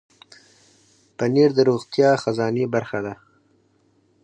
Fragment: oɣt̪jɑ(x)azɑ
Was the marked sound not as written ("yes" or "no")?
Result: no